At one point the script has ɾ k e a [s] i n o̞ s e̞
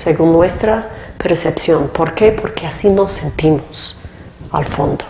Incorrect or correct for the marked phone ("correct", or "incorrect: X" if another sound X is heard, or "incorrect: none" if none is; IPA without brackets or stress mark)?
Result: correct